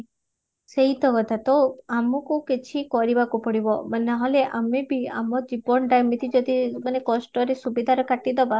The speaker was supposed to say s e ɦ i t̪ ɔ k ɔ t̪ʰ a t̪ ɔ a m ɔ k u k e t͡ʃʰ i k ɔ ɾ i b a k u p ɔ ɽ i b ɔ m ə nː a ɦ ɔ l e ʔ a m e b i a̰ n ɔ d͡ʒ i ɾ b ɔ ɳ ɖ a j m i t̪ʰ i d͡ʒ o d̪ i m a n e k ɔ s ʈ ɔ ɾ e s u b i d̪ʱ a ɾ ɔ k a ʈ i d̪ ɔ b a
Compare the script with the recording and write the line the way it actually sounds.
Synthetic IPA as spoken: s e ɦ i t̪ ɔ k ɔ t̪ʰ a t̪ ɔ a m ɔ k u k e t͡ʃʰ i k ɔ ɾ i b a k u p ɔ ɽ i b ɔ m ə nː a ɦ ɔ l e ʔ a m e b i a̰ m ɔ d͡ʒ i b ɔ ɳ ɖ a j m i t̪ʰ i d͡ʒ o d̪ i m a n e k ɔ s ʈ ɔ ɾ e s u b i d̪ʱ a ɾ ɔ k a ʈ i d̪ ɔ b a